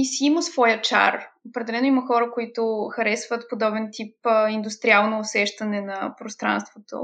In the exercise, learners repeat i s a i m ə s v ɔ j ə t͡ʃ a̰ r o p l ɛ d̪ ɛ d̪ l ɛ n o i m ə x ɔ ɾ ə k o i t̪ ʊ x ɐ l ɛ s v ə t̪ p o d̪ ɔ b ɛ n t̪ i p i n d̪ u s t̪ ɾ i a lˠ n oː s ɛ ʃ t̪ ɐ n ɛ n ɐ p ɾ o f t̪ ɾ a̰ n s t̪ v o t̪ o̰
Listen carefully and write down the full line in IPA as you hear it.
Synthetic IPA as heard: i s i i m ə s v ɔ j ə t͡ʃ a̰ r o p ɾ ɛ d̪ ɛ l ɛ n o i m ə x ɔ ɾ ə k o i t̪ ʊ x ɐ ɾ ɛ s v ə t̪ p o d̪ ɔ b ɛ n t̪ i p i n d̪ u s t̪ ɾ i a lˠ n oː s ɛ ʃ t̪ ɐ n ɛ n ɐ p ɾ o s t̪ ɾ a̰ n s t̪ v o t̪ o̰